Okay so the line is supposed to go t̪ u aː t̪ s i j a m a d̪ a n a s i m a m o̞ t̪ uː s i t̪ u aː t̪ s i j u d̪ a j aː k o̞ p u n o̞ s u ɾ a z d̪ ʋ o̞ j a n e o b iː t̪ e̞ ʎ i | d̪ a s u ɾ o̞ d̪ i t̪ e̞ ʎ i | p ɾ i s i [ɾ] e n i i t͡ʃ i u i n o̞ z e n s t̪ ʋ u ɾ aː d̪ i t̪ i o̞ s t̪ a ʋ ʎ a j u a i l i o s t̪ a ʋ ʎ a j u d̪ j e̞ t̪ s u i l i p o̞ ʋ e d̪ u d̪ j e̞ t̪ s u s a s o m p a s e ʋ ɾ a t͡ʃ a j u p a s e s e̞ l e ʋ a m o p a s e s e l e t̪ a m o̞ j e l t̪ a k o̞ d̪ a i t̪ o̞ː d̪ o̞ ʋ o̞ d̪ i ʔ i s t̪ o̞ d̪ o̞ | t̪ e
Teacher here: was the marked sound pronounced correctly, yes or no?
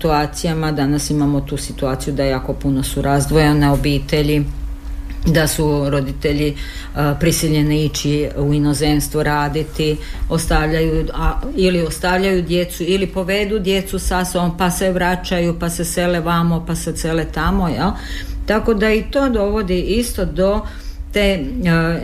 no